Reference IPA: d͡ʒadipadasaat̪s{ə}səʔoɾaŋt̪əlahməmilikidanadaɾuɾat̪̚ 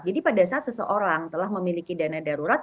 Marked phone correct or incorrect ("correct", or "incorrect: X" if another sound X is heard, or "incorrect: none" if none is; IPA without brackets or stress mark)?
correct